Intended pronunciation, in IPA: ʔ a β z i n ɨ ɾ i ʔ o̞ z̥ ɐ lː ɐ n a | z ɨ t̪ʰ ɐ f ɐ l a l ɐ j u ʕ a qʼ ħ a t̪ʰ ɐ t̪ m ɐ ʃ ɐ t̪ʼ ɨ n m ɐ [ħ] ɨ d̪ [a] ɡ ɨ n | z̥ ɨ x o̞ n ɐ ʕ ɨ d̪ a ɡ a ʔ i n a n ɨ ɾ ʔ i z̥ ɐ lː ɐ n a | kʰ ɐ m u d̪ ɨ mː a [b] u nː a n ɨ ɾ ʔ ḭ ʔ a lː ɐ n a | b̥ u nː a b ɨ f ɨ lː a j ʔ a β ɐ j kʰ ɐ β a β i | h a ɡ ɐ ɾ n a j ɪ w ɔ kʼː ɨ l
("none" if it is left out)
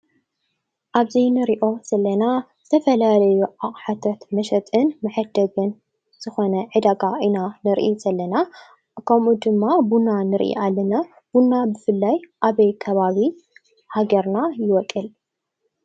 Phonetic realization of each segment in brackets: ħ, ɐ, b

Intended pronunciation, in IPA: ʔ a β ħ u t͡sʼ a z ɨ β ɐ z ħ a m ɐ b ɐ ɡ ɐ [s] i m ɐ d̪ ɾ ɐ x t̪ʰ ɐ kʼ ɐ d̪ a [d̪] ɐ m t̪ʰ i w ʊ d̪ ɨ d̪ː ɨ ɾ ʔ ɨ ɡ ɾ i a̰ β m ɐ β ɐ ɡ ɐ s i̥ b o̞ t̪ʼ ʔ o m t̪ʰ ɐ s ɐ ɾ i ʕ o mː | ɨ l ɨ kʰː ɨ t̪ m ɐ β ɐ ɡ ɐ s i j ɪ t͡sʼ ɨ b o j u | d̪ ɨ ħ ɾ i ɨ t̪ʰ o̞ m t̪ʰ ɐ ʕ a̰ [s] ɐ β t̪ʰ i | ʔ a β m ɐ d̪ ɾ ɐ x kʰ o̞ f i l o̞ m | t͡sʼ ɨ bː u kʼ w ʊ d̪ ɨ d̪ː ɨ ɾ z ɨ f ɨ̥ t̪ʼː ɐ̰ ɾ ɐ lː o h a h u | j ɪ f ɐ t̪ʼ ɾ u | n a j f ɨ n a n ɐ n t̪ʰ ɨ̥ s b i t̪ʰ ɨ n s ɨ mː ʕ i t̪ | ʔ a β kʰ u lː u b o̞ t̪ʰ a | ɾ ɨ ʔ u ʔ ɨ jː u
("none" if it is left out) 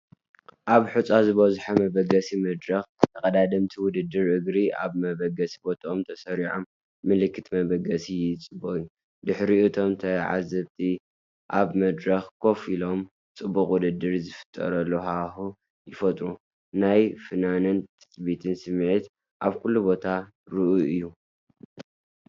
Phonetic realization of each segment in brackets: s, d̪, z

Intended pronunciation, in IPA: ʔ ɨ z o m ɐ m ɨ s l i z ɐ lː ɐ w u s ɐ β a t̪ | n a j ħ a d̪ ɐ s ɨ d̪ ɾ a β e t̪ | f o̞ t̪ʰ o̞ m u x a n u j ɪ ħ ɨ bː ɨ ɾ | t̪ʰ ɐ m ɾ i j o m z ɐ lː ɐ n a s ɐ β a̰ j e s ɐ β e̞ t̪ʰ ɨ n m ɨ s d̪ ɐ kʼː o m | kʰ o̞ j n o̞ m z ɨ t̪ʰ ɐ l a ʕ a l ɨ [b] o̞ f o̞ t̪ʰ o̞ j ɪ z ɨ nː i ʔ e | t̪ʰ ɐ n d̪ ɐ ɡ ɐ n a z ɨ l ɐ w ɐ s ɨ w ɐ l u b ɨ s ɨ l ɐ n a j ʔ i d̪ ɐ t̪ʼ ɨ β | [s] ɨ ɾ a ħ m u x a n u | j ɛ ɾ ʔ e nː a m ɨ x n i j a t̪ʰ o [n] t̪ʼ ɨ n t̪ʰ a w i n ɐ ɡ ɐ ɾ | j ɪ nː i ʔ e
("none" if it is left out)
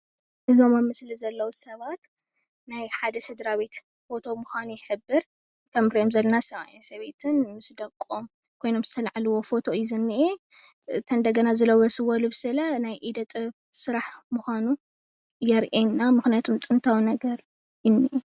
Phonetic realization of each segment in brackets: w, s, m

